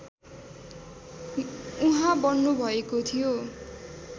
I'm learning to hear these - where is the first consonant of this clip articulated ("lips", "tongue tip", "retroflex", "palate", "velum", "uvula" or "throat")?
throat